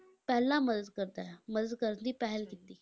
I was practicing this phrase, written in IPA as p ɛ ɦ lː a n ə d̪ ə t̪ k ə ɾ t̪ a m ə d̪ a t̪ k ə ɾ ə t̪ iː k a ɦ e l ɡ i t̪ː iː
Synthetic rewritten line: p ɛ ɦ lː a m ə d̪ ə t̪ k ə ɾ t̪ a m ə d̪ ə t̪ k ə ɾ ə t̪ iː p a ɦ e l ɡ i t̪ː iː